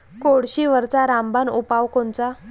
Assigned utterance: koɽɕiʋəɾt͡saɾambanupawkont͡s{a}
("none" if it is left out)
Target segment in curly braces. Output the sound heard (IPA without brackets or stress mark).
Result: a